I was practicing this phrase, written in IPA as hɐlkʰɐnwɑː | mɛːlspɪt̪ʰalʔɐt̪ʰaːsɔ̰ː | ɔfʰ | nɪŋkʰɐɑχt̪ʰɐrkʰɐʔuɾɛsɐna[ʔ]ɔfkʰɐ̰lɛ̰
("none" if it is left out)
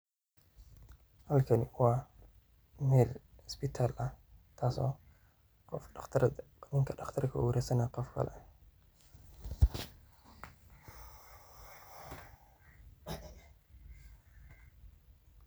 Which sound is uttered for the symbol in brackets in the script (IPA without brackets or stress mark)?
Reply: q